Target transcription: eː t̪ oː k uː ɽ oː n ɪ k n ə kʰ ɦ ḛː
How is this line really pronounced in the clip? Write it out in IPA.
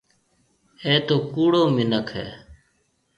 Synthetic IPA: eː t̪ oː k uː ɽ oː m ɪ n ə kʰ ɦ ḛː